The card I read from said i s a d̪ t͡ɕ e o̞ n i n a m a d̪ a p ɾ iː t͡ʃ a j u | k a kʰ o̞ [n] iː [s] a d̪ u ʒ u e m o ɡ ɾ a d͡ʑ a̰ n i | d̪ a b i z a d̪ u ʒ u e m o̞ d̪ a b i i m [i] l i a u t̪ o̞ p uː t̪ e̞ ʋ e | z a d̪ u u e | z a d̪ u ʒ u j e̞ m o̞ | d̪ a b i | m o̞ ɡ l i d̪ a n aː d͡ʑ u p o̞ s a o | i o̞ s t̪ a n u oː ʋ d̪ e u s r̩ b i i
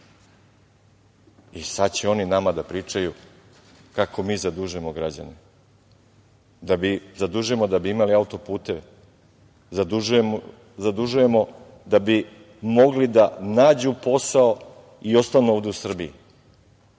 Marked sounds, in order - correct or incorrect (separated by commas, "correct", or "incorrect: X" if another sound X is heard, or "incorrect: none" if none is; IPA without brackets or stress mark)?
incorrect: m, incorrect: z, incorrect: a